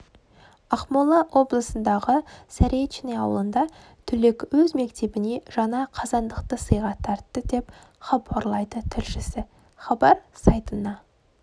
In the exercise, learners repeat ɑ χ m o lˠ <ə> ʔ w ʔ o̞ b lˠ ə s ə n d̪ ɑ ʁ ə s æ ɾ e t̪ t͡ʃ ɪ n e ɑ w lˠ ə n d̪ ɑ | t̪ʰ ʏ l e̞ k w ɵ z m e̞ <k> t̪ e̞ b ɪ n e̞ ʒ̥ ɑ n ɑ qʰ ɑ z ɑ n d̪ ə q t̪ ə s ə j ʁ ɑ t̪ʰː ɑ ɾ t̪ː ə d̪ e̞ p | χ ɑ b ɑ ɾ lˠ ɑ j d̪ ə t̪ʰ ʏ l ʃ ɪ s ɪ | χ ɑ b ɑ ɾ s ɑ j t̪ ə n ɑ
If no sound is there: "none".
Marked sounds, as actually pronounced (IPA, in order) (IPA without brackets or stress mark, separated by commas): ɑ, k